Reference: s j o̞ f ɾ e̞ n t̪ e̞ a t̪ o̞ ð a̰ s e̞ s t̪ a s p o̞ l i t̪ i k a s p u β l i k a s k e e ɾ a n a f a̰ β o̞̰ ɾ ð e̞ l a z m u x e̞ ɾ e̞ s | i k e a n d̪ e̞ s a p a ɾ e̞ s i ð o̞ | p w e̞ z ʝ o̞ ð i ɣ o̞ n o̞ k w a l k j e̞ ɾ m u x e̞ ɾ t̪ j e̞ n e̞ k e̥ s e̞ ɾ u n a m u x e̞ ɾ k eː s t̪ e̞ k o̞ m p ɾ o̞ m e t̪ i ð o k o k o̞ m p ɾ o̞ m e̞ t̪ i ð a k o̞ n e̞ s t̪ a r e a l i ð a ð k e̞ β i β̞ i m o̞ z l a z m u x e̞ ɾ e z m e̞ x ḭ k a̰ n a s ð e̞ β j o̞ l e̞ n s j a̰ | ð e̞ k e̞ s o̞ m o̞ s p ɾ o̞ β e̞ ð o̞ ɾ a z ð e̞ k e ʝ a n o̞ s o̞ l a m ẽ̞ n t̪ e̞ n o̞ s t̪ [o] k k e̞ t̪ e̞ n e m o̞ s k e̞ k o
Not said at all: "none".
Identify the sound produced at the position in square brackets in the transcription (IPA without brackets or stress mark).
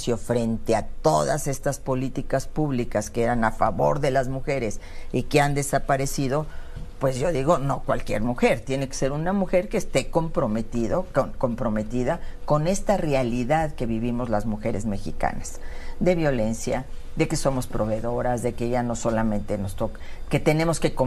o